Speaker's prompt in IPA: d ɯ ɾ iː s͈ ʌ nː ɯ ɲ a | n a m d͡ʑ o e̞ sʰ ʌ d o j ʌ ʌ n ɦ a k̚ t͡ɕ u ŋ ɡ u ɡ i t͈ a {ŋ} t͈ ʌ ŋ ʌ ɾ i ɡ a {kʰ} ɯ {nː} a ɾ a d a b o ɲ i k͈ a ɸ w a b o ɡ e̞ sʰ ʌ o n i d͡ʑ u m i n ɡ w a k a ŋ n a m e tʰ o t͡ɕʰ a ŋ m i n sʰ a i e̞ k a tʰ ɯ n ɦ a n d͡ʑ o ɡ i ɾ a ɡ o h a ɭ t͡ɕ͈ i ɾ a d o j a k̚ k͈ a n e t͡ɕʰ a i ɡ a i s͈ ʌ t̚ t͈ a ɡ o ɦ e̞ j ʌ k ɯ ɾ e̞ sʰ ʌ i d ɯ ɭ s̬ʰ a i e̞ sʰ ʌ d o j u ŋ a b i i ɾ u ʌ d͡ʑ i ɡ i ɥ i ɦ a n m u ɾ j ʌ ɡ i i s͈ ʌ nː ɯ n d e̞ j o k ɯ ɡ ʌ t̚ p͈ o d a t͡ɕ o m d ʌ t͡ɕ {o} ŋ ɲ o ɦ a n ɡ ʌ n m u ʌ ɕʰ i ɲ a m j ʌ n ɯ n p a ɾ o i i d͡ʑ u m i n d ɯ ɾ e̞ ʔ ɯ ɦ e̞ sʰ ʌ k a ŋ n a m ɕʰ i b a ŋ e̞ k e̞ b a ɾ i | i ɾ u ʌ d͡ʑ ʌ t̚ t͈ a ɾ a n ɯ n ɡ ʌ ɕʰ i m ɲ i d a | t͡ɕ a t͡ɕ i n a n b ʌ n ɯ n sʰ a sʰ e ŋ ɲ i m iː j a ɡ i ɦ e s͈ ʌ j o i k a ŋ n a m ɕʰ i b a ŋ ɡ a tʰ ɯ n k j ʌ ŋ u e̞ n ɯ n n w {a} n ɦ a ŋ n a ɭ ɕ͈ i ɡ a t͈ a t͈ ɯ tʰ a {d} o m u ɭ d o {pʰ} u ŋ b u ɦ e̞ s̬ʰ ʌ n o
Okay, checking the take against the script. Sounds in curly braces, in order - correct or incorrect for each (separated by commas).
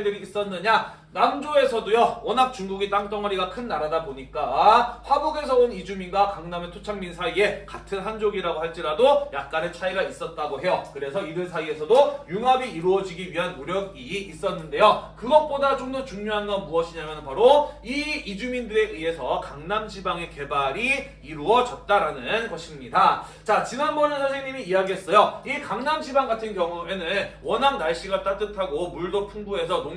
correct, correct, correct, incorrect, incorrect, incorrect, correct